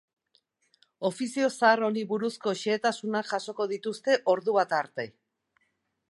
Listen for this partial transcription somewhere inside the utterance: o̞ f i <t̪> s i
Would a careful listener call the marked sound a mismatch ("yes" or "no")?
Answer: yes